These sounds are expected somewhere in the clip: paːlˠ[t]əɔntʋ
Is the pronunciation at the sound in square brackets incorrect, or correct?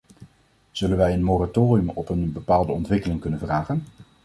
incorrect